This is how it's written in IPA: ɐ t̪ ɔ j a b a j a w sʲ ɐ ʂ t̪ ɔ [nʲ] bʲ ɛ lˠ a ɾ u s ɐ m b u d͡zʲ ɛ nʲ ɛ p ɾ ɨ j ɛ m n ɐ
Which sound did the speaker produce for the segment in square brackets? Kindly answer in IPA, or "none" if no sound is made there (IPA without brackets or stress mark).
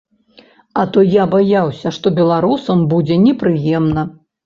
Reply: none